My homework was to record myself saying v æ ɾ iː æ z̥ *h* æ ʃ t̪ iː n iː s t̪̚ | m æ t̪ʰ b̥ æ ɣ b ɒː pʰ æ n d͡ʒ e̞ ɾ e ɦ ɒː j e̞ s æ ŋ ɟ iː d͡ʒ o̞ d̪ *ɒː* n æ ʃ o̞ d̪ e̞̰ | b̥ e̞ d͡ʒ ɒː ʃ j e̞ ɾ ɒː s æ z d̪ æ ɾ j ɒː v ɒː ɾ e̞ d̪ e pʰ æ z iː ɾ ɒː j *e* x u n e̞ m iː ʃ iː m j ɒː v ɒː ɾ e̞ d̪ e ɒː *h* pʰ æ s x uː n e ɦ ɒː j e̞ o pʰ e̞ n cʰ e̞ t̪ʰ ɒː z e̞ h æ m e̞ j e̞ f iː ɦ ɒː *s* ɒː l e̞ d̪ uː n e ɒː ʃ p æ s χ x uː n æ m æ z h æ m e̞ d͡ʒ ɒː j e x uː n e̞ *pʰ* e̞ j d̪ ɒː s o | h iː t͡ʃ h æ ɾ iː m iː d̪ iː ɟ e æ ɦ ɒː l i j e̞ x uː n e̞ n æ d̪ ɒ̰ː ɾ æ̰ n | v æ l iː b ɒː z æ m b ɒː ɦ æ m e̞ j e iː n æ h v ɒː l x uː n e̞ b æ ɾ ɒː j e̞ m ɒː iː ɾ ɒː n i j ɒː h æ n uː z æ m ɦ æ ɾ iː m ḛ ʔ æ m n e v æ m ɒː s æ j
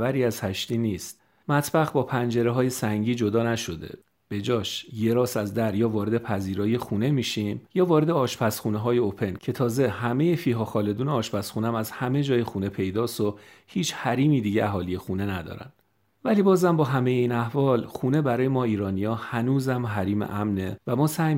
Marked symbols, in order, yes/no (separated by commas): yes, yes, yes, no, no, yes